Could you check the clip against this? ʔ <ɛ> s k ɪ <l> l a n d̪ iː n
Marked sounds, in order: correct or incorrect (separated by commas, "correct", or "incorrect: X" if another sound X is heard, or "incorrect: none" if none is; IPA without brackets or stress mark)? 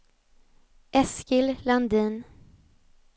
correct, correct